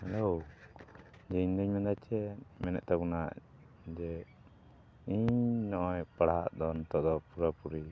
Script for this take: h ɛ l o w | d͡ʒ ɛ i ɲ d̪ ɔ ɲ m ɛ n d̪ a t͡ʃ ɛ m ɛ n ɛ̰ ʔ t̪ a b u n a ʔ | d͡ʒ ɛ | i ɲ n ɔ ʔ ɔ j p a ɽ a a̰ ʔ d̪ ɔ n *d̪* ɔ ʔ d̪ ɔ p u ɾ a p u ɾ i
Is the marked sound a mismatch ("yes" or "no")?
yes